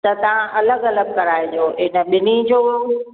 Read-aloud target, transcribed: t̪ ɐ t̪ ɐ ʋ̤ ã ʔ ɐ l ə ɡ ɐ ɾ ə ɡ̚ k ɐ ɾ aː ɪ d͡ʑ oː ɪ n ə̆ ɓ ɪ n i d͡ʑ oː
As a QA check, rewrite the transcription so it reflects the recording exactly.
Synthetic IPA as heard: t̪ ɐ t̪ ɐ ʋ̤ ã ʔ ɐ l ə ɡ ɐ l ə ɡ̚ k ɐ ɾ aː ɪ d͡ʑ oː ɪ n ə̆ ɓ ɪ n i d͡ʑ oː

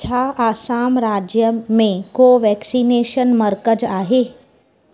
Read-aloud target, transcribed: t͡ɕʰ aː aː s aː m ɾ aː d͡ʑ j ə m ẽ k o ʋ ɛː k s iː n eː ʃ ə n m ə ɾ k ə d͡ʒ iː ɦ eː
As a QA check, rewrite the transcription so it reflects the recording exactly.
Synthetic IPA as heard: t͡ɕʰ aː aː s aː m ɾ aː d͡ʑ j ə m ẽ k o ʋ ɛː k s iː n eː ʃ ə n m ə ɾ k ə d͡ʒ aː ɦ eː

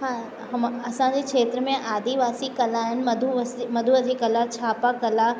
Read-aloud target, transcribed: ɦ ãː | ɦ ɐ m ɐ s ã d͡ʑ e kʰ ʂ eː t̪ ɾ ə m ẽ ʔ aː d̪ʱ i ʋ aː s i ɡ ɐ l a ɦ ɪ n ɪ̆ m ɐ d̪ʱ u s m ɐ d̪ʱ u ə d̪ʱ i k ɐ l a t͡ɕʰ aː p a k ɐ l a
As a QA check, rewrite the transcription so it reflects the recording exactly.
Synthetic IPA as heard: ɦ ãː | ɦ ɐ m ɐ s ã d͡ʑ e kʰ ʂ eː t̪ ɾ ə m ẽ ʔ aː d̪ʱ i ʋ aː s i k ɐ l a ɦ ɪ n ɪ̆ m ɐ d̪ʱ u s m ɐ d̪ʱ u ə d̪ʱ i k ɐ l a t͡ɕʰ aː p a k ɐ l a

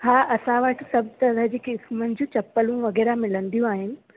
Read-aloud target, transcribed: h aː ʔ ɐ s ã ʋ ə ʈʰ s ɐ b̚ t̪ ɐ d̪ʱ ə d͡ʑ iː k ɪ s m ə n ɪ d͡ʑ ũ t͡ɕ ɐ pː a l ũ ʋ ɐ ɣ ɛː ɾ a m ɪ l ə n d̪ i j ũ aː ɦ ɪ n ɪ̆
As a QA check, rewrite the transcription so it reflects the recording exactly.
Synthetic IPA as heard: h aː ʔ ɐ s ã ʋ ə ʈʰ s ɐ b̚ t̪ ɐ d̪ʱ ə d͡ʑ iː k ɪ s m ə n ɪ d͡ʑ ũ t͡ɕ ɐ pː ə l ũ ʋ ɐ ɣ ɛː ɾ a m ɪ l ə n d̪ i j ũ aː ɦ ɪ n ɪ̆

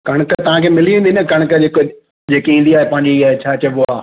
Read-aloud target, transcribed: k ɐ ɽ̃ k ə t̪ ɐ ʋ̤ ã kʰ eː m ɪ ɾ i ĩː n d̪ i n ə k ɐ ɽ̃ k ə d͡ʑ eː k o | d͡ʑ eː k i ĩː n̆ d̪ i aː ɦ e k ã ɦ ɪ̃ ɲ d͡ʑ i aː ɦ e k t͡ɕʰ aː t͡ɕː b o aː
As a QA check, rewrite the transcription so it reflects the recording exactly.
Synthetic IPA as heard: k ɐ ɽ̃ k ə t̪ ɐ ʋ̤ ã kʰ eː m ɪ l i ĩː n d̪ i n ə k ɐ ɽ̃ k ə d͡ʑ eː k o | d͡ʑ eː k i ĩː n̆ d̪ i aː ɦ e p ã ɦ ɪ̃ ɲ d͡ʑ i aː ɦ e t͡ɕʰ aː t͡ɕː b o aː

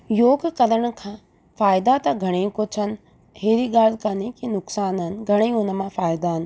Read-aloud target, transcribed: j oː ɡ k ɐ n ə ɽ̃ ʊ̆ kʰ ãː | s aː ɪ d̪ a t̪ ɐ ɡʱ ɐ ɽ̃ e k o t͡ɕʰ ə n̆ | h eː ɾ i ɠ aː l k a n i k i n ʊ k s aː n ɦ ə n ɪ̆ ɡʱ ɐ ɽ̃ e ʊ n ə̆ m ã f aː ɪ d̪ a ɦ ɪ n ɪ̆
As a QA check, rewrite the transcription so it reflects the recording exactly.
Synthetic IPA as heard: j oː ɡ k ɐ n ə ɽ̃ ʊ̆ kʰ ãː | f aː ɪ d̪ a t̪ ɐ ɡʱ ɐ ɽ̃ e k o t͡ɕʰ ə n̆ | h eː ɾ i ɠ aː l k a n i k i n ʊ k s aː n ɦ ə n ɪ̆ ɡʱ ɐ ɽ̃ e ʊ n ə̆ m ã f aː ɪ d̪ a ɦ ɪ n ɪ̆

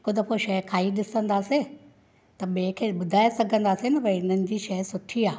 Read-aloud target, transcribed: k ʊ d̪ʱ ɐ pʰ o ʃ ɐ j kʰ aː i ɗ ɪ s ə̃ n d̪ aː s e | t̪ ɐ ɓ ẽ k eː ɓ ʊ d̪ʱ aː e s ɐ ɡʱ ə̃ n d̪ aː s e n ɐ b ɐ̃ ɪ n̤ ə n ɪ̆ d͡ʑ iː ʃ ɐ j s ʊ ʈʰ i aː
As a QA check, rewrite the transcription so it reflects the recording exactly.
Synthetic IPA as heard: k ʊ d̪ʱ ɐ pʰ o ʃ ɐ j kʰ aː i ɗ ɪ s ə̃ n d̪ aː s e | t̪ ɐ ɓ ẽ kʰ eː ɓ ʊ d̪ʱ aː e s ɐ ɡʱ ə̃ n d̪ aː s e n ɐ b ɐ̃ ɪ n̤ ə n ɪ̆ d͡ʑ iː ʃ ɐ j s ʊ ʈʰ i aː

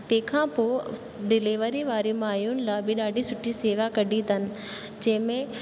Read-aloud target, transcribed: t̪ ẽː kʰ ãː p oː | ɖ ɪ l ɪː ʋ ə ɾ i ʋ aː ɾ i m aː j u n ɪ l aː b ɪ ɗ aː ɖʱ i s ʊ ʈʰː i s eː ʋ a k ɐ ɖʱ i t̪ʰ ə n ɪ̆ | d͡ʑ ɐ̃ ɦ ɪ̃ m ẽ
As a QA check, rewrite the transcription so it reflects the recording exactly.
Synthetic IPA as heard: t̪ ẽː kʰ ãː p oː | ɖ ɪ l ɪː ʋ ə ɾ i ʋ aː ɾ i m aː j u n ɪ l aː b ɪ ɗ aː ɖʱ i s ʊ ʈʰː i s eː ʋ a k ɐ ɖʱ i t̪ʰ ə n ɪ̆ | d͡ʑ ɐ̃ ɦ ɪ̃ m ẽ

